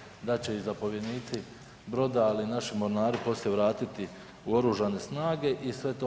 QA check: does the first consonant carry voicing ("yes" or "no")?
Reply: yes